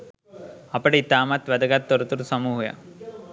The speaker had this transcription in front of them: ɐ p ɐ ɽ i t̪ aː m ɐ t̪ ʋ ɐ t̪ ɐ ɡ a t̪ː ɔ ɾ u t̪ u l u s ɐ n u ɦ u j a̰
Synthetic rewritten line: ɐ p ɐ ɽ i t̪ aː m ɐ t̪ ʋ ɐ d̪ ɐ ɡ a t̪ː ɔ ɾ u t̪ u ɾ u s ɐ m u ɦ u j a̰

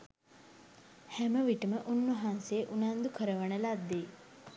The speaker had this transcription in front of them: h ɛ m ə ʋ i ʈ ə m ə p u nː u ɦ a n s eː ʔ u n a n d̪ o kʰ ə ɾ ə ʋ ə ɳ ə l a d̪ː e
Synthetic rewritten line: h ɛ m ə ʋ i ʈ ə m ə ʔ u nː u ɦ a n s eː ʔ u n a n d̪ u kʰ ə ɾ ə ʋ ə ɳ ə l a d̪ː e

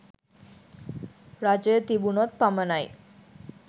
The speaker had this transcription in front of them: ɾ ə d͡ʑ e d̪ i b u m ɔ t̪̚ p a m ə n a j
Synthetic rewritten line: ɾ a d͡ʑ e t̪ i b u n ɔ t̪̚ p a m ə n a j

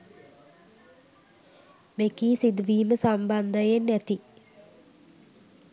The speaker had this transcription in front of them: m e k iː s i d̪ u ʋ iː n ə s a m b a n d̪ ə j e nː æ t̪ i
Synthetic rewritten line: m e k iː s i d̪ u ʋ iː m ə s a m b a n d̪ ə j e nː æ t̪ i

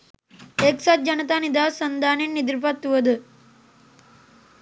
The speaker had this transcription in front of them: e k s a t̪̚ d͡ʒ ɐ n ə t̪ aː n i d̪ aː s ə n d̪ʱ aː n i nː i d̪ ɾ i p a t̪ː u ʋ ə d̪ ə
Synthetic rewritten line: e k s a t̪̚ d͡ʒ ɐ n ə t̪ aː n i d̪ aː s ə n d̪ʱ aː n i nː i d̪ ɾ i p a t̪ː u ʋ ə d̪ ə

